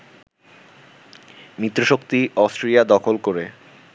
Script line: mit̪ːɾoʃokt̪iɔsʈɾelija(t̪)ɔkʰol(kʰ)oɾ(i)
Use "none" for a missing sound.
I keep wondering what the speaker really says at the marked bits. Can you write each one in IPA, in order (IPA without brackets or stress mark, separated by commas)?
d̪, k, e